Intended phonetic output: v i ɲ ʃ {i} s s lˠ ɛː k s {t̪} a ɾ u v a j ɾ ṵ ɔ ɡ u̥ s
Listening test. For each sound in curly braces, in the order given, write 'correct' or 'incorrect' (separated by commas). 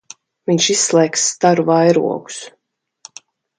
correct, correct